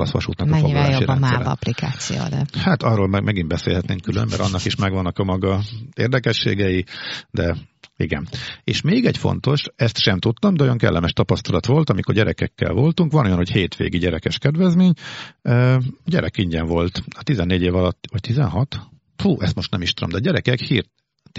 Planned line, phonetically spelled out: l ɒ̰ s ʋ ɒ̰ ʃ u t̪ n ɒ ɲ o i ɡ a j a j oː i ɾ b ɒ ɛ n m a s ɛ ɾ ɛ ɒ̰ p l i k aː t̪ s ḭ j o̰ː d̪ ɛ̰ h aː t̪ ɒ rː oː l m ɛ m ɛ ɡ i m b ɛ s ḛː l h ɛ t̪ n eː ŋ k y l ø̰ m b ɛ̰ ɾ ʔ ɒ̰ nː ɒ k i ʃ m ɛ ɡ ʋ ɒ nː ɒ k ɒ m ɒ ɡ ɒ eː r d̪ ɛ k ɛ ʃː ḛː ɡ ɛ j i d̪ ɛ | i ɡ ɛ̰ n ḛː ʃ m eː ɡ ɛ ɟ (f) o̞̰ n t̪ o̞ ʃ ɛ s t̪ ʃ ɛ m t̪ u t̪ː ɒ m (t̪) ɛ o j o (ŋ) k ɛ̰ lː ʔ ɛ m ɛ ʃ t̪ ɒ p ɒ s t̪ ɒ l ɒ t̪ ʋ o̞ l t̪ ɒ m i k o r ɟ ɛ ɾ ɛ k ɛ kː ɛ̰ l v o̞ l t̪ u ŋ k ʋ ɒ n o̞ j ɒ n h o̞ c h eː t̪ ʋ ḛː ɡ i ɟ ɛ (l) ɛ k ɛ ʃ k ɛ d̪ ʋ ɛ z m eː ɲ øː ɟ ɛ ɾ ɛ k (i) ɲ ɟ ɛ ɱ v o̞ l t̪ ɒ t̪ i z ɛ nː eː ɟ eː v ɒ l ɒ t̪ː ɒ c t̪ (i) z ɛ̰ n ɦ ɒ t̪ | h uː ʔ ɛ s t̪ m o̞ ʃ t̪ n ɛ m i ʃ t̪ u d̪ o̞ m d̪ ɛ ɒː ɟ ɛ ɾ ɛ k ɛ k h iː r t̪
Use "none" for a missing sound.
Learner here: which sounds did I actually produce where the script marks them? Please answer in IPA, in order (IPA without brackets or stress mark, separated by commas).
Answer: f, d̪, ŋ, ɾ, i, i